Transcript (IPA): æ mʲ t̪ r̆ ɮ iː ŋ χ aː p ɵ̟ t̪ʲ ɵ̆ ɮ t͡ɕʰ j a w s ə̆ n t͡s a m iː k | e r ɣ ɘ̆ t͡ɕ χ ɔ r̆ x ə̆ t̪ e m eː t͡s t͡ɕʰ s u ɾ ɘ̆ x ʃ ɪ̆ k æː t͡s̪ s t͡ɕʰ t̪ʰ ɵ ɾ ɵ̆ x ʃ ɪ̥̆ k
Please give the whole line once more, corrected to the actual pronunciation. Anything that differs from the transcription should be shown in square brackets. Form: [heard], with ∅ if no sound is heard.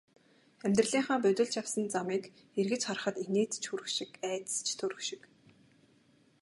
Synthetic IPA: æ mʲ t̪ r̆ ɮ iː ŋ χ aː p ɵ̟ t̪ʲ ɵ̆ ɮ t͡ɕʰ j a w s ə̆ n t͡s a m iː k | e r ɣ ɘ̆ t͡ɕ χ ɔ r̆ [χ] ə̆ t̪ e [n] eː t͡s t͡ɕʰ [x] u ɾ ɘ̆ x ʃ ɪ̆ k æː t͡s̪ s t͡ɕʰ t̪ʰ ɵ ɾ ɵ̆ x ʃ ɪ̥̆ k